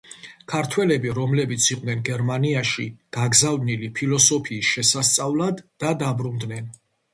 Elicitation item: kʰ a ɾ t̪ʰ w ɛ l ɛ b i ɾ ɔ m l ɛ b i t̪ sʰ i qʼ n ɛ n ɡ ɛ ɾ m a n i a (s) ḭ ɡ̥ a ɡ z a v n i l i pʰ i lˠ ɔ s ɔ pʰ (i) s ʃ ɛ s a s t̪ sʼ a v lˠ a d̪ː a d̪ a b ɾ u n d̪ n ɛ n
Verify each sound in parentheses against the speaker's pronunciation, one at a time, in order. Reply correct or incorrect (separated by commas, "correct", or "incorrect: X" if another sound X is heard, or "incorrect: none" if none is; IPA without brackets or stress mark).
incorrect: ʃ, incorrect: iː